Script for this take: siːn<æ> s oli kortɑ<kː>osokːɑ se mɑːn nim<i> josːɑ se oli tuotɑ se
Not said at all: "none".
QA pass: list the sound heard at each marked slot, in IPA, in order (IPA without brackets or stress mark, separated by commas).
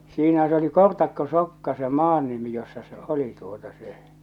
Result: æ, kː, i